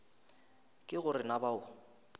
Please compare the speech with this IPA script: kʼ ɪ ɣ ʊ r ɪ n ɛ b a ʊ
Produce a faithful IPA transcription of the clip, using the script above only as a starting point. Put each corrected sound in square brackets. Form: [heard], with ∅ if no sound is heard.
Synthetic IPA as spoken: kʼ ɪ ɣ ʊ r ɪ n [a] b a ʊ